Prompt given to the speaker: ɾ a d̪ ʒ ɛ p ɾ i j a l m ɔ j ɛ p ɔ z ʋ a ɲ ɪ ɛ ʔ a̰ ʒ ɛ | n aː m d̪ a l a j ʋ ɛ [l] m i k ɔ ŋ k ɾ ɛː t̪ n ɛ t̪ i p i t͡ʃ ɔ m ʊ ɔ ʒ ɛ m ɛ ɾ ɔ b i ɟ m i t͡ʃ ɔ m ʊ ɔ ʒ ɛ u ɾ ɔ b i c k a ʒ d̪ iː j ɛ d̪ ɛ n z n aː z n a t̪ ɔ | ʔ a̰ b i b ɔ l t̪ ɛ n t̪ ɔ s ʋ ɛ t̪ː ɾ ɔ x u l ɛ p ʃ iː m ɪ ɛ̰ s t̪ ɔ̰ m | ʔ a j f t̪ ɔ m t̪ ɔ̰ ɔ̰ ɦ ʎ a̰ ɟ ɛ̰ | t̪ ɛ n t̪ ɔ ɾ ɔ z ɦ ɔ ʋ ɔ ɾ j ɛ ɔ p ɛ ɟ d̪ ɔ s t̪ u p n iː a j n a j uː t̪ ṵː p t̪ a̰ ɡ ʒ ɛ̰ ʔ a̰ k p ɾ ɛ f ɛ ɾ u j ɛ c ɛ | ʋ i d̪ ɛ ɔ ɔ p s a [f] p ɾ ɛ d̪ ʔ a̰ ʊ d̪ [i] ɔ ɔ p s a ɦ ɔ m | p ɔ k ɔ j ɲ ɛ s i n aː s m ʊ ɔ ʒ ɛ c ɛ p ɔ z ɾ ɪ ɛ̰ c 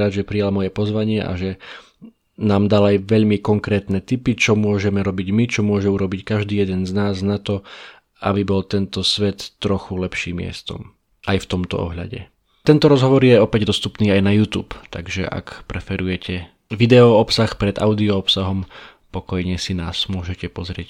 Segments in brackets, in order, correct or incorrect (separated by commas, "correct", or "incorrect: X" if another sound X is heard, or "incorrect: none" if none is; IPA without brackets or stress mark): incorrect: ʎ, incorrect: x, correct